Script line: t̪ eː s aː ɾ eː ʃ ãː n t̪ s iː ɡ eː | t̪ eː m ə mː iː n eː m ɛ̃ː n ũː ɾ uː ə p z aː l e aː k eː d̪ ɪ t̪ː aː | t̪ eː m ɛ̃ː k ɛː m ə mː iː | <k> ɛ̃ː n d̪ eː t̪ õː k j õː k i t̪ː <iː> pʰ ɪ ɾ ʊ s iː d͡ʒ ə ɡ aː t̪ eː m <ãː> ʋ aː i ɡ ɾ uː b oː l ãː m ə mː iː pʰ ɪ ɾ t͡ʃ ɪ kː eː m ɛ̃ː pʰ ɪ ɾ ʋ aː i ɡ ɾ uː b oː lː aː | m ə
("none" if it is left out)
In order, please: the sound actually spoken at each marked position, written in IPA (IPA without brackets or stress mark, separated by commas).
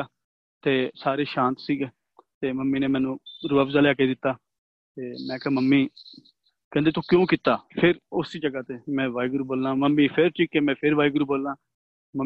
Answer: k, aː, ɛ̃ː